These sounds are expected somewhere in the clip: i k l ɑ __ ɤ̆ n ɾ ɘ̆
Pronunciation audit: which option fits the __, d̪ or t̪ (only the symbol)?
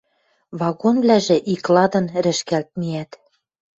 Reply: d̪